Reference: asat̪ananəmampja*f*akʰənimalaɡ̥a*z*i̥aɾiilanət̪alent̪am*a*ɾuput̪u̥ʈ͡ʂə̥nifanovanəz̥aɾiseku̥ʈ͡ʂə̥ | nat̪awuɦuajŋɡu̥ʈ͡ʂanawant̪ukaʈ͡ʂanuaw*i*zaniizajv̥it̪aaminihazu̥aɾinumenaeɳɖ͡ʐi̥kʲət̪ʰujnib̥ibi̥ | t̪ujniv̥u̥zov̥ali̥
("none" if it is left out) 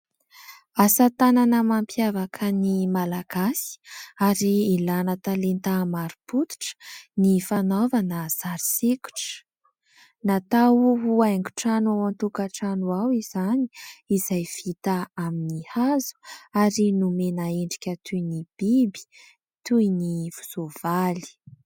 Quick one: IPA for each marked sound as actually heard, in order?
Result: v, s, a, i

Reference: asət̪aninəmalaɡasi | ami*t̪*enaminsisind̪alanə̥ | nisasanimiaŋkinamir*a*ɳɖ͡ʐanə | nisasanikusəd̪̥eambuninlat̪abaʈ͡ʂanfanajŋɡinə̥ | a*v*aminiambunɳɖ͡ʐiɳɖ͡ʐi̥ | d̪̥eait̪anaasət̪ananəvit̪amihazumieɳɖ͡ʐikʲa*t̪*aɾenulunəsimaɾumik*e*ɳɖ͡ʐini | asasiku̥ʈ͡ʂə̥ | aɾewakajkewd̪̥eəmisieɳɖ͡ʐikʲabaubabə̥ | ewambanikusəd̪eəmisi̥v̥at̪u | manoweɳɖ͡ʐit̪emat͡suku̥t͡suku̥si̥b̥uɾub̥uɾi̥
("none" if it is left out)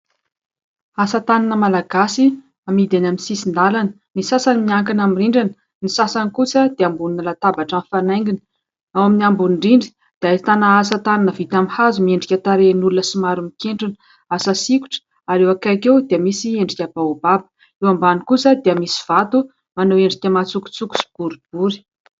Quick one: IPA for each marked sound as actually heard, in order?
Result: d̪, i, w, t̪, e

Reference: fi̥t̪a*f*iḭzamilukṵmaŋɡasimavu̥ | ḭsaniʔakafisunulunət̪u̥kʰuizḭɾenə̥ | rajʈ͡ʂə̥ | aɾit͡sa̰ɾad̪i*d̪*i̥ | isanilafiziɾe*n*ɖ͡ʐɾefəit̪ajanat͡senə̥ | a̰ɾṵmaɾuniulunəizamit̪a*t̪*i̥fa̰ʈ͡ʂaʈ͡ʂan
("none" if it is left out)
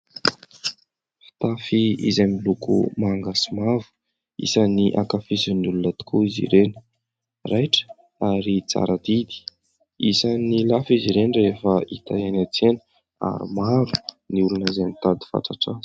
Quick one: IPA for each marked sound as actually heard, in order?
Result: f, d̪, n, d̪

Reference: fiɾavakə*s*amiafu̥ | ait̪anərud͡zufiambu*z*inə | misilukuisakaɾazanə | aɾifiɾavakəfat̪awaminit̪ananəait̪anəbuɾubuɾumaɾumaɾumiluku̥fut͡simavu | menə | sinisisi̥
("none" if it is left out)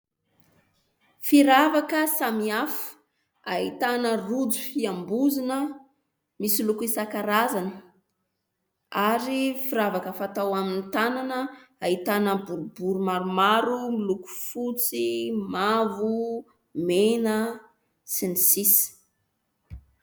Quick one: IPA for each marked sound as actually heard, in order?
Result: s, z

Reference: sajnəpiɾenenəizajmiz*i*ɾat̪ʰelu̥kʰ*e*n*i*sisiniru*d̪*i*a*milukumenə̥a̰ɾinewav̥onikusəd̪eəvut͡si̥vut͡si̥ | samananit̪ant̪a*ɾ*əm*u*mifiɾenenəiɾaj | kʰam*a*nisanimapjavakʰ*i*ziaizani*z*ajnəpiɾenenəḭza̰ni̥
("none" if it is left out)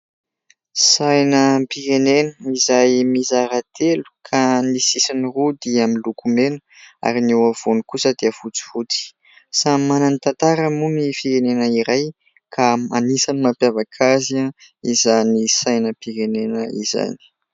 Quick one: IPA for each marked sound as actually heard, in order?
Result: a, a, i, d̪, a, ɾ, u, a, a, s

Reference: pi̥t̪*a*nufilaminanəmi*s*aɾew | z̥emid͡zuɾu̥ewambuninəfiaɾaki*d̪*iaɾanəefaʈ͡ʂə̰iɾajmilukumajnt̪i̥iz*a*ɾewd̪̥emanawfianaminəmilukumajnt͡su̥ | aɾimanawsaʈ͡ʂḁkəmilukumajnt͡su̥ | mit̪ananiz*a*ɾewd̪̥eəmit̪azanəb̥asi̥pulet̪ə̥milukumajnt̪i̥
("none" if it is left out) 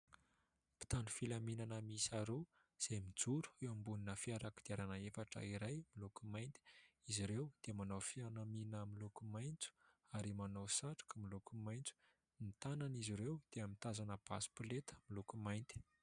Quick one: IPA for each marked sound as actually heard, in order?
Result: a, s, d̪, i, i

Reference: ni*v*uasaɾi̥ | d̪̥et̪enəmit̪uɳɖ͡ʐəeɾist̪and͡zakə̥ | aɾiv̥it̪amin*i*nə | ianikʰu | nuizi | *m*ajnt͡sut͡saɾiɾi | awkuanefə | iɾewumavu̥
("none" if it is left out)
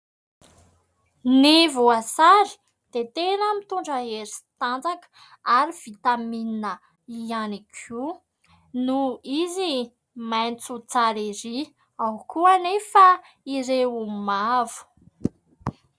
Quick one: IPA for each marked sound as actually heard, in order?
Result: v, i, m

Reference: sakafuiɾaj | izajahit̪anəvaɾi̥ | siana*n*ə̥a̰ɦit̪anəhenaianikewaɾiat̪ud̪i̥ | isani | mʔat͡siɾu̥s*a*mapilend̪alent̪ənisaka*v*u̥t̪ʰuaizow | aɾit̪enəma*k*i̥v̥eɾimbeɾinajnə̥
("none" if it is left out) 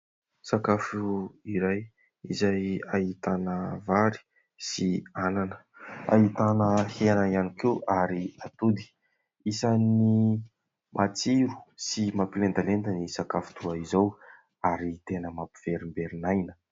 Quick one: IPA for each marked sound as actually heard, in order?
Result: n, i, f, p

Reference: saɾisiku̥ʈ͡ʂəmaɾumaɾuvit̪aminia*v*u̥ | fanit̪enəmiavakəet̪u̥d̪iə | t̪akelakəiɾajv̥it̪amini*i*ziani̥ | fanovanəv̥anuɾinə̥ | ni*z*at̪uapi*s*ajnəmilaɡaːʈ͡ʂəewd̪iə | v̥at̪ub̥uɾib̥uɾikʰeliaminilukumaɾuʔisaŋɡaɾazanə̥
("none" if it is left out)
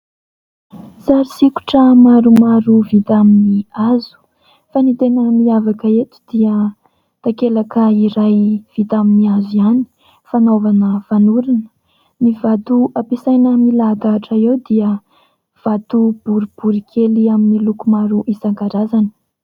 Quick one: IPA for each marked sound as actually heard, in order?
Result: z, a, v, s

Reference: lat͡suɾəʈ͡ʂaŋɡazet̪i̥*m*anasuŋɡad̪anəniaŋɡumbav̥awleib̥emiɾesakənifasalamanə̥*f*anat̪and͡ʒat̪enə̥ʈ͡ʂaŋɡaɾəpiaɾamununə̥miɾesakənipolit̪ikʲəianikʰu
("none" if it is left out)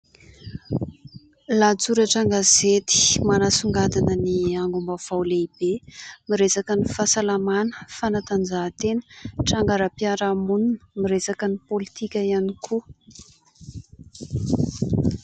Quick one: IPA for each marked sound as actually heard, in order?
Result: m, f

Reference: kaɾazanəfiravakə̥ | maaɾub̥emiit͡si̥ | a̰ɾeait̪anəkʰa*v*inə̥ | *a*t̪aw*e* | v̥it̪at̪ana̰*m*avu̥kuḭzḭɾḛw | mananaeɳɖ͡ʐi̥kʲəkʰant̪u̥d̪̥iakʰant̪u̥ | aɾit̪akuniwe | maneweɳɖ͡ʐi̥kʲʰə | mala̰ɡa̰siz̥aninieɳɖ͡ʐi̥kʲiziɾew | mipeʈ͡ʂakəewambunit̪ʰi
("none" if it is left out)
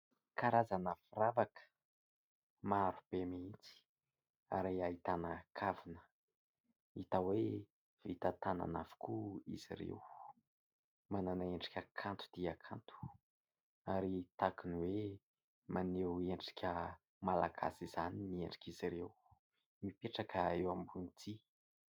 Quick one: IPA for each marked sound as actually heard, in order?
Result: v, i, e, n

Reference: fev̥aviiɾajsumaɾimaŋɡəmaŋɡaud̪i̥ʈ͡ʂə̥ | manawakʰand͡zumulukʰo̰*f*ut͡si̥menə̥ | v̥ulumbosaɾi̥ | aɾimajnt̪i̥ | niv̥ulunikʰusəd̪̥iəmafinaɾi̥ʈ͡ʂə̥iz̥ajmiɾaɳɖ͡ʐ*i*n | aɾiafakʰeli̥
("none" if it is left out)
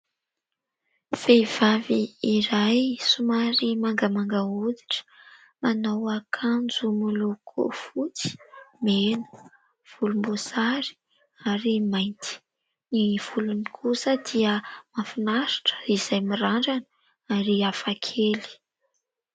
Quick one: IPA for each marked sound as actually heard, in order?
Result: f, a

